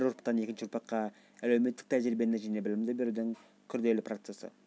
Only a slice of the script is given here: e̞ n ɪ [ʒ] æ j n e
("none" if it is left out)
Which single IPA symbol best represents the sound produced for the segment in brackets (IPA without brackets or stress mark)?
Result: ʒ